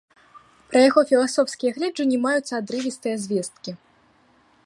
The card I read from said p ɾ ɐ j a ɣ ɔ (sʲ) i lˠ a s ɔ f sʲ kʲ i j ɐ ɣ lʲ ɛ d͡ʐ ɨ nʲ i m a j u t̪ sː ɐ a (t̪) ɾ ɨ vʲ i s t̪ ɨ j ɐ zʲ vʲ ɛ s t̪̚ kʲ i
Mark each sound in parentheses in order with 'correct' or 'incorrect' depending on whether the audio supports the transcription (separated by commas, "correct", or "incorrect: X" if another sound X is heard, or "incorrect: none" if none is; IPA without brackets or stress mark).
incorrect: fʲ, incorrect: d̪